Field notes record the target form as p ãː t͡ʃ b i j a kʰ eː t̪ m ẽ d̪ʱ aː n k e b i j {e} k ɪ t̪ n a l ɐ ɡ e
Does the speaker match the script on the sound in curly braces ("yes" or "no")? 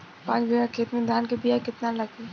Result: no